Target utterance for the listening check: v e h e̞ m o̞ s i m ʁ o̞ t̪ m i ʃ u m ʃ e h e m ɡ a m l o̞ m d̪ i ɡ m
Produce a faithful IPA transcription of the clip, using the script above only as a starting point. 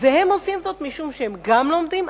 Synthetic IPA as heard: v e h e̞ m o̞ s i m z o̞ t̪ m i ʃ u m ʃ e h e m ɡ a m l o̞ m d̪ i m